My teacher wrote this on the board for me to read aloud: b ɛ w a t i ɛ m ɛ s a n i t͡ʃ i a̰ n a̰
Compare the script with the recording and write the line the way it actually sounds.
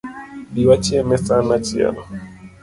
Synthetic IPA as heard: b i w a t͡ʃ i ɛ m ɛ s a n a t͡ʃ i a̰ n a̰